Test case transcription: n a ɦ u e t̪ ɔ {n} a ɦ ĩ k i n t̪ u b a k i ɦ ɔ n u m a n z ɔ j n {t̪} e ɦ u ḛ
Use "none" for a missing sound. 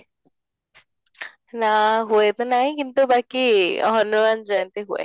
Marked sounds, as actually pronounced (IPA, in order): n, t̪

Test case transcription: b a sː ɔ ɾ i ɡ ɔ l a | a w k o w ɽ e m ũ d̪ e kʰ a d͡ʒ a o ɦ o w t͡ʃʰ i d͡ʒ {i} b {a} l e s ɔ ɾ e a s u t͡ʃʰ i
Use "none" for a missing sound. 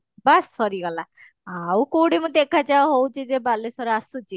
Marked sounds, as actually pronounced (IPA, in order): e, a

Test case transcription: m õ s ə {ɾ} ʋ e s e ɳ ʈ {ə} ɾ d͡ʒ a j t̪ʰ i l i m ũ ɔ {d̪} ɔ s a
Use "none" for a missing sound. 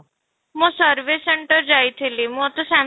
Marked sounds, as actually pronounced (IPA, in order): ɾ, ə, t̪

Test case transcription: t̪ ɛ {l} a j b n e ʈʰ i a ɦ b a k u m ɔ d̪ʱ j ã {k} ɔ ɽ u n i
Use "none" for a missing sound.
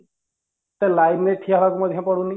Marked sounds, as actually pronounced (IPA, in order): l, p

